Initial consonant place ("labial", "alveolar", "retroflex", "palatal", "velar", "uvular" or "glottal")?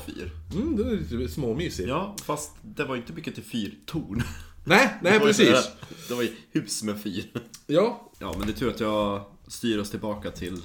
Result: labial